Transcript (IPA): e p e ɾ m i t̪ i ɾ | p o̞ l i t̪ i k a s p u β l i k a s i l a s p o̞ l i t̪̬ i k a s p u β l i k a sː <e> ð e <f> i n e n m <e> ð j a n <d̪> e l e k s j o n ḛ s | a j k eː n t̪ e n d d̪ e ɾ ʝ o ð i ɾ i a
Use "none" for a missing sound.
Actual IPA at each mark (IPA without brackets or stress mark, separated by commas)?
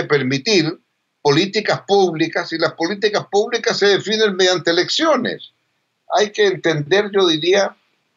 e, f, e, t̪